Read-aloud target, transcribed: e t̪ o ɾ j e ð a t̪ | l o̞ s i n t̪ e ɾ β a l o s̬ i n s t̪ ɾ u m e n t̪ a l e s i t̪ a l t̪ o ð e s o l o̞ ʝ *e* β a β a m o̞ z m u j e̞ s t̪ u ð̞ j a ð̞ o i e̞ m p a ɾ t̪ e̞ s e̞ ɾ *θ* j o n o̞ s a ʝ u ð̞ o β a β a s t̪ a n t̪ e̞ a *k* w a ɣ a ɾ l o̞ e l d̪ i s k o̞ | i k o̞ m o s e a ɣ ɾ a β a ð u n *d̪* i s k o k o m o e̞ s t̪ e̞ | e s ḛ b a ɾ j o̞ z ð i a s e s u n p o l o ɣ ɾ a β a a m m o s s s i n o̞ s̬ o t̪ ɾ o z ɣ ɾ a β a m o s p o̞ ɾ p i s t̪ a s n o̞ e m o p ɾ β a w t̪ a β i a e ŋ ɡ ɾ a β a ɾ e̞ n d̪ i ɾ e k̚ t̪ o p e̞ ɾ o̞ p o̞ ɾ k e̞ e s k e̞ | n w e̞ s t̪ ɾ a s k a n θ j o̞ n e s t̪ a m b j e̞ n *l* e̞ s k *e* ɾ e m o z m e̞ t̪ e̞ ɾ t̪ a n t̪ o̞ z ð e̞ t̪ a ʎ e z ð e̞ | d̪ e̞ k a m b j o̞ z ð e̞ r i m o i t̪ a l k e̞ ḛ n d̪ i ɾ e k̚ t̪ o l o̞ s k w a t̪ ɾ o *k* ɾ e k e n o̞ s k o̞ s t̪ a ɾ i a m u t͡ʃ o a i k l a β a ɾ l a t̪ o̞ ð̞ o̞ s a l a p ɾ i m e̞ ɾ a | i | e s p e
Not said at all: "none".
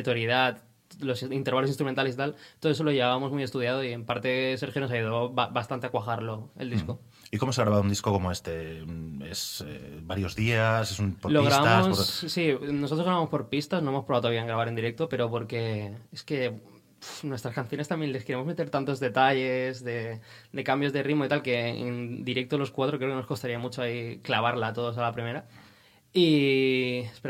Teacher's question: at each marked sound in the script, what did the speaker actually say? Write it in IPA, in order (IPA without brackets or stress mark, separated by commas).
e, x, k, d̪, l, e, k